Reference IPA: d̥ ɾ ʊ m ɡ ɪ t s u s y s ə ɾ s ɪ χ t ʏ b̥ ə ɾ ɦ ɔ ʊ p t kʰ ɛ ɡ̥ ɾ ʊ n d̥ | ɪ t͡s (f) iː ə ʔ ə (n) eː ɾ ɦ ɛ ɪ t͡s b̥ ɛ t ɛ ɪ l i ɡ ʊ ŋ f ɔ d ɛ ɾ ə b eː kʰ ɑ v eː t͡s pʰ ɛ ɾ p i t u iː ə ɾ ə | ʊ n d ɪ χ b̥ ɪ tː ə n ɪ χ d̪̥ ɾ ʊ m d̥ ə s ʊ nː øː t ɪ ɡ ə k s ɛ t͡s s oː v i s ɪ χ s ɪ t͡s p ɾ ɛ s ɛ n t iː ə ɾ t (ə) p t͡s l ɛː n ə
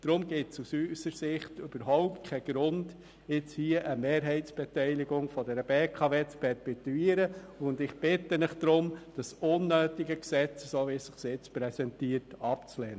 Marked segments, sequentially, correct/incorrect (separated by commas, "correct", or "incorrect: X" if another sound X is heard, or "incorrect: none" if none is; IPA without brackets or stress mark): incorrect: h, incorrect: m, incorrect: ɑ